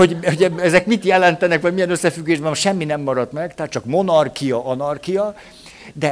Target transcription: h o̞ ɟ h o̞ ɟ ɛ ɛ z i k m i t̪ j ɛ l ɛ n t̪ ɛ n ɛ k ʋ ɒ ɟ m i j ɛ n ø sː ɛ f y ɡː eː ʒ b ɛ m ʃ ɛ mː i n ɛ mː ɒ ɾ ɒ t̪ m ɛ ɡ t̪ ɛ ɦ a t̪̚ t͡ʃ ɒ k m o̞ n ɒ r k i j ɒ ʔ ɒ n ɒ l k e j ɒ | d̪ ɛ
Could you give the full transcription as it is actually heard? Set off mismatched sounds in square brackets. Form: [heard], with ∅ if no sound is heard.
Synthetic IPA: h o̞ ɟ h o̞ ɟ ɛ ɛ z [ɛ] k m i t̪ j ɛ l ɛ n t̪ ɛ n ɛ k ʋ ɒ ɟ m i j ɛ n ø sː ɛ f y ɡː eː ʒ b ɛ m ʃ ɛ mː i n ɛ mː ɒ ɾ ɒ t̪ m ɛ ɡ t̪ ɛ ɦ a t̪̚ t͡ʃ ɒ k m o̞ n ɒ r k i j ɒ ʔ ɒ n ɒ [r] k [i] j ɒ | d̪ ɛ